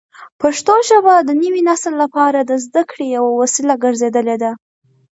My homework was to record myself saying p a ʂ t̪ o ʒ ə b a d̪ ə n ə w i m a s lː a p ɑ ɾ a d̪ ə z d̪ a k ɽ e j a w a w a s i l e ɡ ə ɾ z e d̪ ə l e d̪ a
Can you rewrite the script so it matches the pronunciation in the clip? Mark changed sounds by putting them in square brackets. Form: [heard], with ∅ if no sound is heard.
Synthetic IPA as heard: p a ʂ t̪ o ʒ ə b a d̪ ə n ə w i [n] a s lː a p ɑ ɾ a d̪ ə z d̪ a k ɽ e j a w a w a s i l [a] ɡ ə ɾ z e d̪ ə l e d̪ a